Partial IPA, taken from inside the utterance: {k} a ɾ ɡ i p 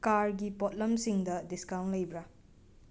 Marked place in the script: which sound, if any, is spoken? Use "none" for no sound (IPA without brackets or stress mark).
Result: k